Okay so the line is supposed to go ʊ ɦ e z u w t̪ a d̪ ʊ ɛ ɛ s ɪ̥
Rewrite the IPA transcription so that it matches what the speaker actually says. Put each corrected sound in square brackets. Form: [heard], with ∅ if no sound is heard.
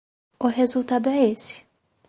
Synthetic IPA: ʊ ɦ e z u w t̪ a d̪ ʊ ɛ [e] s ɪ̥